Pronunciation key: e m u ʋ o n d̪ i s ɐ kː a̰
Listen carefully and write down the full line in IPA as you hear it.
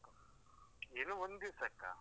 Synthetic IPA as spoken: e n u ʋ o n d̪ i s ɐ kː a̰